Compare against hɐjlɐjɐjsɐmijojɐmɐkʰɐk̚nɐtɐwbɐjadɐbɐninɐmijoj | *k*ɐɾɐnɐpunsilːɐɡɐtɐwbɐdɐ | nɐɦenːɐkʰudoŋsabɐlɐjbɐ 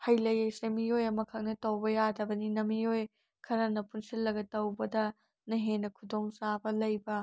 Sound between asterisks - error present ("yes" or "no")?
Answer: yes